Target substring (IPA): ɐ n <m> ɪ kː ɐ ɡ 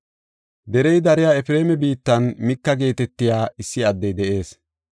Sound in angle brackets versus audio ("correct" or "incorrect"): correct